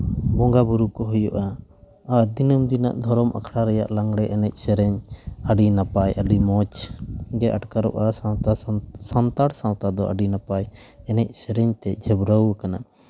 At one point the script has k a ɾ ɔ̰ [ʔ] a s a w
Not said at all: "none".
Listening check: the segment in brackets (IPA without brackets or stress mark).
ʔ